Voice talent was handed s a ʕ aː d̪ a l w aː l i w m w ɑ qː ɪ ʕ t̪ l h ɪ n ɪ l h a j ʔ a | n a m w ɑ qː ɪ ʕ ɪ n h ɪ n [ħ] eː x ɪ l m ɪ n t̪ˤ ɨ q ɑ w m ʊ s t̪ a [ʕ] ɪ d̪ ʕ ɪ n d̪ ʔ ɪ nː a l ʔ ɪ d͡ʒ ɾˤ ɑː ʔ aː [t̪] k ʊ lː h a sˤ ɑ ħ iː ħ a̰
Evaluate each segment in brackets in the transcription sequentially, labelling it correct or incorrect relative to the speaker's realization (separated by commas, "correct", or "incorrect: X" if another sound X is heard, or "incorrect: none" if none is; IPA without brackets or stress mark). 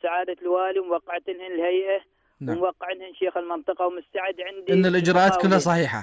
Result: incorrect: ʃ, correct, correct